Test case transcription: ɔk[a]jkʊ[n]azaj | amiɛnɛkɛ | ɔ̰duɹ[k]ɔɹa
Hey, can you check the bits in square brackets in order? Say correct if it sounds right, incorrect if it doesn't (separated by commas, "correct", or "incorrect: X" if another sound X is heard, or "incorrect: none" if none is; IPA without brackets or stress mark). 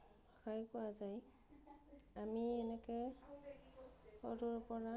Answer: correct, incorrect: none, incorrect: p